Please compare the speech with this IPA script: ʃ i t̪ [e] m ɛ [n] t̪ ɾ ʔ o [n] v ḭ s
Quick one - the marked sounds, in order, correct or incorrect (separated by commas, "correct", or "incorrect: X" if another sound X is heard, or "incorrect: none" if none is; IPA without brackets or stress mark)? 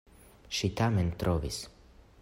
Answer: incorrect: a, correct, incorrect: none